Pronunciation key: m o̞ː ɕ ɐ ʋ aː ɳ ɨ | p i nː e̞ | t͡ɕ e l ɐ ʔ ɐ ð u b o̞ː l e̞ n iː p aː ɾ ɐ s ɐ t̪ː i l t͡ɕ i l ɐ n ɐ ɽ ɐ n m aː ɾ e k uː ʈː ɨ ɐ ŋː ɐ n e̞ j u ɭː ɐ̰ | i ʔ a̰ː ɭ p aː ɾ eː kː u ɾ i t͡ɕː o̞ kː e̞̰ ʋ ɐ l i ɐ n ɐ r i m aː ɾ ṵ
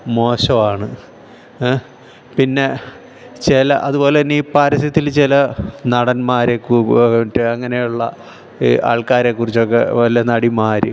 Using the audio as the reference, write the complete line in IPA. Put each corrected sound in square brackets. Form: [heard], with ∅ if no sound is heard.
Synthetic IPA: m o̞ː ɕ ɐ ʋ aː ɳ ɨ | p i nː e̞ | t͡ɕ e l ɐ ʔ ɐ ð u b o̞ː l e̞ n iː p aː ɾ ɐ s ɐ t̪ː i l t͡ɕ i l ɐ n ɐ ɽ ɐ n m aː ɾ e k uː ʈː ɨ ɐ ŋː ɐ n e̞ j u ɭː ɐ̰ | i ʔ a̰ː ɭ [k] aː ɾ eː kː u [r] i t͡ɕː o̞ kː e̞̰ ʋ ɐ l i ɐ n ɐ [ɽ] i m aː ɾ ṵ